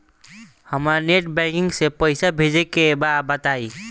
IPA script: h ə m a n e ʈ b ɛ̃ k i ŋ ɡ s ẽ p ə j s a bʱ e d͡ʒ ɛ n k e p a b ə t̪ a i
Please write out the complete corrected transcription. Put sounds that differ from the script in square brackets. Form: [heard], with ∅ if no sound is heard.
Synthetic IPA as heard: h ə m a n e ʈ b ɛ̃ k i ŋ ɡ s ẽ p ə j s a bʱ e d͡ʒ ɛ [∅] k e [b] a b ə t̪ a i